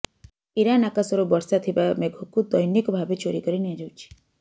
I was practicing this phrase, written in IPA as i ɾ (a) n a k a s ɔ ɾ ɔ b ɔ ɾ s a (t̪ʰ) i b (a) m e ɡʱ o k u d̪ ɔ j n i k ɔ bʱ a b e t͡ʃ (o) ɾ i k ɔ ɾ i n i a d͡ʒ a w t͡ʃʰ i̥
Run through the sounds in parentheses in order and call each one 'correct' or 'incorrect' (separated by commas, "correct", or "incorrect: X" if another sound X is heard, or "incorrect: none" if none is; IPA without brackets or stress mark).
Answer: correct, correct, correct, correct